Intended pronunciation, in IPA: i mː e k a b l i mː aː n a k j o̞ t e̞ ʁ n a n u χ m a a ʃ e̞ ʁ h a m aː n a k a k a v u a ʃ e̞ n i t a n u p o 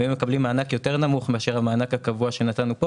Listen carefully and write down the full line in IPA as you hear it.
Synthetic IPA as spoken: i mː e k a b l i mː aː n a k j o̞ t e̞ ʁ n a m u χ m e a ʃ e̞ ʁ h a m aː n a k a k a v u a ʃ e̞ n a t a n u p o